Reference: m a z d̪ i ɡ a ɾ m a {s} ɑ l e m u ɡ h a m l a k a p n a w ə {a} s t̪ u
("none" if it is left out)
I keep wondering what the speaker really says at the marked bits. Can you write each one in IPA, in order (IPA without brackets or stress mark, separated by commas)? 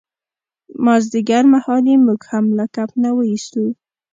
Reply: h, i